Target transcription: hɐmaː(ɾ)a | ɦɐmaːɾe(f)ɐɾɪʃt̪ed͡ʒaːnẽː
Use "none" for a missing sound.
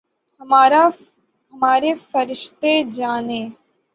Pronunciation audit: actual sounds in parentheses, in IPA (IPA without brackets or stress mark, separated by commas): ɾ, f